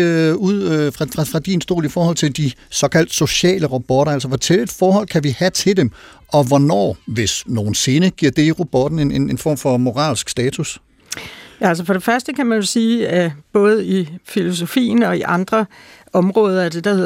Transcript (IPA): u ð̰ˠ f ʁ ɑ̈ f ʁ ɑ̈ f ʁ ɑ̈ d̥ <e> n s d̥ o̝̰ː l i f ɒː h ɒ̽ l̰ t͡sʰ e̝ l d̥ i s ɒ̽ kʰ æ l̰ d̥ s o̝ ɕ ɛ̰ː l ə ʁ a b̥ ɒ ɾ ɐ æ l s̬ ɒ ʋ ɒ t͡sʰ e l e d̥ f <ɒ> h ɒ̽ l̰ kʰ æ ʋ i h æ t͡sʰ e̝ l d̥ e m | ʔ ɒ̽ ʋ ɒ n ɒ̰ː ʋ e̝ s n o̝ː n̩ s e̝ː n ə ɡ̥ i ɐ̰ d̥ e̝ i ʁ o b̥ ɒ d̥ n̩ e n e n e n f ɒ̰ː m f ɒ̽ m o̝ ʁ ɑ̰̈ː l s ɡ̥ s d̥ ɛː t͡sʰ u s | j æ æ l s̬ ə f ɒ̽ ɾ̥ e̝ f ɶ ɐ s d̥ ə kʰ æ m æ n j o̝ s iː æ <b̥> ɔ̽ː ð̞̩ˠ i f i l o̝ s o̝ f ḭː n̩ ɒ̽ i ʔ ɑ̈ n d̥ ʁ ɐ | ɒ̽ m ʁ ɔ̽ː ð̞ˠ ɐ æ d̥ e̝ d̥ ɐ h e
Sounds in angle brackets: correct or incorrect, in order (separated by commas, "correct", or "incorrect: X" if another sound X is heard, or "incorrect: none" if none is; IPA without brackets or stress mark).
incorrect: i, incorrect: ɒː, correct